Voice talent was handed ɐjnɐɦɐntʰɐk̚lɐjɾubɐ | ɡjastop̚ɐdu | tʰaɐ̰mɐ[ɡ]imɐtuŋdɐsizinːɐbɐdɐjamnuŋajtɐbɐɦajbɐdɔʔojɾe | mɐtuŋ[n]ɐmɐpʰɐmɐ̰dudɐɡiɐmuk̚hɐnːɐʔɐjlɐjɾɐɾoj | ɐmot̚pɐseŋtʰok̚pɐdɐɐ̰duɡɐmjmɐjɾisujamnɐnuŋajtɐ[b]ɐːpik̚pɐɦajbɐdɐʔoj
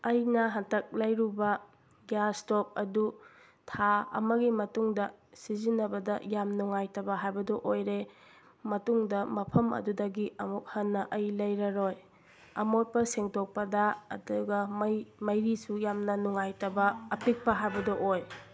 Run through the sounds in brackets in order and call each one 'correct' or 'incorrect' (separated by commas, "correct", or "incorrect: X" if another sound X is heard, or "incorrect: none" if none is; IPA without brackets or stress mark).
correct, incorrect: d, correct